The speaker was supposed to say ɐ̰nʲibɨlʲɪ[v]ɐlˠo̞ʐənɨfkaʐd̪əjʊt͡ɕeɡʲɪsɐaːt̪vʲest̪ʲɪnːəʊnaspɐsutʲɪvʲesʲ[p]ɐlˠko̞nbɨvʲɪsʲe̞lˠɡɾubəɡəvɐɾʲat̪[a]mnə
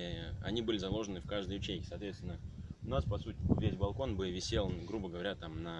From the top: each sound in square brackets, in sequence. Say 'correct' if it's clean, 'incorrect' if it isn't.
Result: incorrect, incorrect, correct

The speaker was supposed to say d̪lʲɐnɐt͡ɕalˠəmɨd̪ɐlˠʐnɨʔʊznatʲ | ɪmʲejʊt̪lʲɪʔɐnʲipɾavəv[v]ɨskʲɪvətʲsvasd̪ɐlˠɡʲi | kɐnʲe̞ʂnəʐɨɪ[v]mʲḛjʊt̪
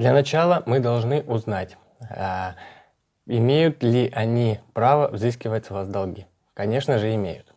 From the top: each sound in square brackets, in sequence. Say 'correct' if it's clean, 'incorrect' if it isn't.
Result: incorrect, incorrect

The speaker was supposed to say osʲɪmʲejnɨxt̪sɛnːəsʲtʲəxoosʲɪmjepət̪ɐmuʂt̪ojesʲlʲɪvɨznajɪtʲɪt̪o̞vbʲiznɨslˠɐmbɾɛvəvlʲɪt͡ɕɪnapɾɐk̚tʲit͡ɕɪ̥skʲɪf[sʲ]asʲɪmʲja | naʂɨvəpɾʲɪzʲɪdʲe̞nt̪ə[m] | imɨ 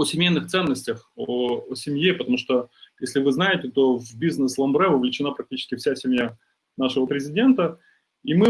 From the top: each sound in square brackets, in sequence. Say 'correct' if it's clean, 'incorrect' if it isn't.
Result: correct, incorrect

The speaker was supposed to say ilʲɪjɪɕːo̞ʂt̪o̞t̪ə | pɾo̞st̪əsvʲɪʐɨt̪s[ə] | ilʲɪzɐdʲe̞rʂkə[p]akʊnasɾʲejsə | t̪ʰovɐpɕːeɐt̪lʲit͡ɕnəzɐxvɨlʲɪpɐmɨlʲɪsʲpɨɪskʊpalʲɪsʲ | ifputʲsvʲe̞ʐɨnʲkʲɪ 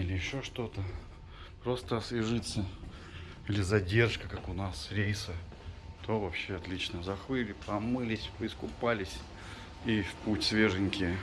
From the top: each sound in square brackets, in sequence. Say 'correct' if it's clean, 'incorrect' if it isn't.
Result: correct, incorrect

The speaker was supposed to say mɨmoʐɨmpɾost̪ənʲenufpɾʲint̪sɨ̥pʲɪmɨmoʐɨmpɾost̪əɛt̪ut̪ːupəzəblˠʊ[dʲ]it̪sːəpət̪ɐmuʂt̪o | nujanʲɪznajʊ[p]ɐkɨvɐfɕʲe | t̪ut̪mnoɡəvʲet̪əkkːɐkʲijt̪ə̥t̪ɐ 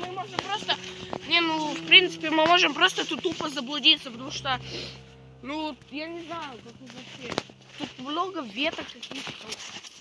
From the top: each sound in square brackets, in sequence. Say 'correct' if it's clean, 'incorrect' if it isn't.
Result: correct, incorrect

